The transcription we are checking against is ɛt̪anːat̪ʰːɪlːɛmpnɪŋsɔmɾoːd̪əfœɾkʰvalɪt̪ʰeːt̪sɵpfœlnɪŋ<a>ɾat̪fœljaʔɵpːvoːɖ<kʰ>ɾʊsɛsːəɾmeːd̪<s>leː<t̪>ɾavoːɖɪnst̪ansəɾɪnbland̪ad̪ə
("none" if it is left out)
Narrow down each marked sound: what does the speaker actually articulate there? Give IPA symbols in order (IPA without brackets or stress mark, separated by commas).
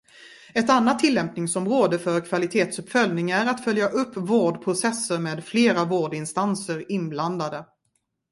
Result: æ, pʰ, f, none